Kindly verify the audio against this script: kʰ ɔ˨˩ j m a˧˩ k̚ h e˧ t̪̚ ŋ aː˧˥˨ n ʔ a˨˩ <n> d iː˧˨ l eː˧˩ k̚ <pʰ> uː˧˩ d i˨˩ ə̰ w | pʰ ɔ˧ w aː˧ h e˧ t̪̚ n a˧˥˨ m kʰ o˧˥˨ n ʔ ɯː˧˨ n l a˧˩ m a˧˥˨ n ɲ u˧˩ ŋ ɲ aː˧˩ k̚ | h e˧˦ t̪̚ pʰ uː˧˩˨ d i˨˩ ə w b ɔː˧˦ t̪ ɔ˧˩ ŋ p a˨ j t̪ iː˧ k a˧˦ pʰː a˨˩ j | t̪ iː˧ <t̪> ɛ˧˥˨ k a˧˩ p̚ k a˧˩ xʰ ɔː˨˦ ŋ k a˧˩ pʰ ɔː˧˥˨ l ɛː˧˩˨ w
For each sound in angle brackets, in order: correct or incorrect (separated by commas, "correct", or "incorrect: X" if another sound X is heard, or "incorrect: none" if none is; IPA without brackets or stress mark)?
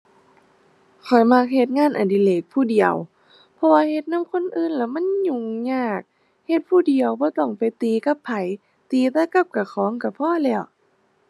correct, correct, correct